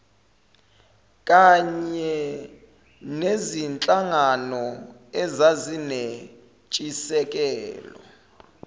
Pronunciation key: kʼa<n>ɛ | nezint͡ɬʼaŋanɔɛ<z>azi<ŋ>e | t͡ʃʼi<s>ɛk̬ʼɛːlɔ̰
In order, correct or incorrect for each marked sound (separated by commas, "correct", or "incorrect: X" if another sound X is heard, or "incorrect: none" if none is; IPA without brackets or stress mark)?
incorrect: ɲ, correct, incorrect: n, correct